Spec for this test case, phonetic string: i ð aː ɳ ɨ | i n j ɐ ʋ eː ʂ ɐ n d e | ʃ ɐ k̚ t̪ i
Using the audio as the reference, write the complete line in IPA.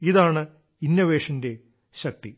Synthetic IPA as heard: i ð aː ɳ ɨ | i n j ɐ ʋ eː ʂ ɐ n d e | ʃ ɐ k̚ t̪ i

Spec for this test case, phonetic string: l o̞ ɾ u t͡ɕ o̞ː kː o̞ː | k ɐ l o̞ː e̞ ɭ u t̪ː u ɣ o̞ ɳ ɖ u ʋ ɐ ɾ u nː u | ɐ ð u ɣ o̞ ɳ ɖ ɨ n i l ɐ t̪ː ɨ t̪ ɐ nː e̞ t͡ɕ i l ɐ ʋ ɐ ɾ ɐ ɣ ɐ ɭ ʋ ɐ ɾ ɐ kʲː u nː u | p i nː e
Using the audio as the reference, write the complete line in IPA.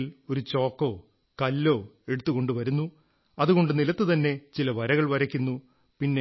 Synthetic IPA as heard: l o̞ ɾ u t͡ɕ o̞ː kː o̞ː | k ɐ lː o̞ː e̞ ɽ u t̪ː u ɣ o̞ ɳ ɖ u ʋ ɐ ɾ u nː u | ɐ ð u ɣ o̞ ɳ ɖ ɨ n i l ɐ t̪ː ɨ t̪ ɐ nː e̞ t͡ɕ i l ɐ ʋ ɐ ɾ ɐ ɣ ɐ ɭ ʋ ɐ ɾ ɐ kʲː u nː u | p i nː e

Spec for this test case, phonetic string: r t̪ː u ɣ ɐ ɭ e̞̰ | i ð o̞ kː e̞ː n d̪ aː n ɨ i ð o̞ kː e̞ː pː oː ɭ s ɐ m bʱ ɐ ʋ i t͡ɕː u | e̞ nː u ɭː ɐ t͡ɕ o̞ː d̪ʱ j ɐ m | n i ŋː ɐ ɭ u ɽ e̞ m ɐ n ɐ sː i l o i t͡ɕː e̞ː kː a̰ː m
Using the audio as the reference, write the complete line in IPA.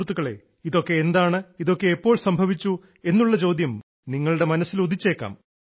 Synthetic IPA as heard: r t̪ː u ɣ ɐ ɭ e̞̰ | i ð o̞ kː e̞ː n d̪ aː ɳ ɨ i ð o̞ kː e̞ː pː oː ɭ s ɐ m bʱ ɐ ʋ i t͡ɕː u | e̞ nː u ɭː ɐ t͡ɕ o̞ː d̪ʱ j ɐ m | n i ŋː ɐ ɭ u ɽ e̞ m ɐ n ɐ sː i l o i t͡ɕː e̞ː kː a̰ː m

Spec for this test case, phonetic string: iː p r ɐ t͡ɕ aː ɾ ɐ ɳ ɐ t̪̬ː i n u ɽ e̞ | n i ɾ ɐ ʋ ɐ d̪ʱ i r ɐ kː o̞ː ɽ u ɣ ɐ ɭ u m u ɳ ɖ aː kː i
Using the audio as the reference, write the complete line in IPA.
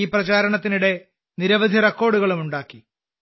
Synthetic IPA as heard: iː p r ɐ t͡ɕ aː ɾ ɐ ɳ ɐ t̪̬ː i n u ɽ e̞ | n i ɾ ɐ ʋ ɐ d̪ʱ i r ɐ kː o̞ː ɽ u ɣ ɐ ɭ u m u ɳ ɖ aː kː i

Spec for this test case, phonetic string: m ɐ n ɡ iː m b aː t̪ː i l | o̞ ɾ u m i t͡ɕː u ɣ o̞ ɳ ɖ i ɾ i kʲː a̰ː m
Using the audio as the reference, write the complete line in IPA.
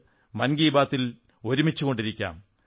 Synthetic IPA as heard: m ɐ n ɡ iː b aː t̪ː i l | o̞ ɾ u m i t͡ɕː u ɣ o̞ ɳ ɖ i ɾ i kʲː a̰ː m

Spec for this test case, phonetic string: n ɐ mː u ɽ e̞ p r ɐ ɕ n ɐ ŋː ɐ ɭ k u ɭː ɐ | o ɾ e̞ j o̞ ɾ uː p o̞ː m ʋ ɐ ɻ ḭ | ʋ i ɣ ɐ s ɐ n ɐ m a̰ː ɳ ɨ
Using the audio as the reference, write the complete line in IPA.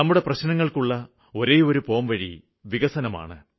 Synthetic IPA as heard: n ɐ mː u ɽ e̞ p r ɐ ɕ n ɐ ŋː ɐ ɭ k u ɭː ɐ | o ɾ e̞ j o̞ ɾ u p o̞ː m ʋ ɐ ɻ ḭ | ʋ i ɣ ɐ s ɐ n ɐ m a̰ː ɳ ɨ

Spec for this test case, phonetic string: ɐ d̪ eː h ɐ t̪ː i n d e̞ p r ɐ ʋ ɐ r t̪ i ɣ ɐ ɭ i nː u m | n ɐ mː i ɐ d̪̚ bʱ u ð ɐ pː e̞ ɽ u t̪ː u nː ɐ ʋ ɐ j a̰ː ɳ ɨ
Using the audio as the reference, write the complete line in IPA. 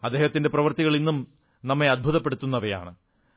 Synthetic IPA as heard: ɐ d̪ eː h ɐ t̪ː i n d e̞ p r ɐ ʋ ɐ r t̪ i ɣ ɐ ɭ i nː u m | n ɐ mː e ɐ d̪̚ bʱ u ð ɐ pː e̞ ɽ u t̪ː u nː ɐ ʋ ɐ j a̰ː ɳ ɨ

